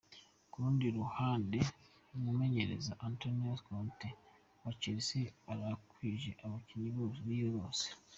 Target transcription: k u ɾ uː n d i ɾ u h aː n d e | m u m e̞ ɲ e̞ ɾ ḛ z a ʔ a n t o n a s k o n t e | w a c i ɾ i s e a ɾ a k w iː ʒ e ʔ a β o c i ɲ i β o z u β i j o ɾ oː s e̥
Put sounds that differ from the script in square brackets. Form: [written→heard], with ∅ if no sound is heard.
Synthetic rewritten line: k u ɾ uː n d i ɾ u h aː n d e | m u m e̞ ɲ e̞ ɾ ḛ z a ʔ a n t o n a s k o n t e | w a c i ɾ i s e a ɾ a k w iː ʒ e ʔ a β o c i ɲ i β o z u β i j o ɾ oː s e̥